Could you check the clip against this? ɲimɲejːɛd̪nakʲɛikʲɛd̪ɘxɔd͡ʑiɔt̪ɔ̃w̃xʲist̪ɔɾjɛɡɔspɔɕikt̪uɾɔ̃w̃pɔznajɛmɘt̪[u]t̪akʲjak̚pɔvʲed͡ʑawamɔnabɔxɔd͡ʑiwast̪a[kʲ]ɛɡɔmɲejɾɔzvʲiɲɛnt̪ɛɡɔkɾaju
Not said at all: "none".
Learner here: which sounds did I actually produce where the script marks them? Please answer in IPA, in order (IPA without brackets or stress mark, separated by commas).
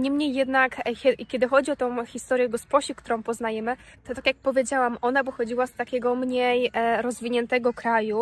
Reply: ɔ, kʲ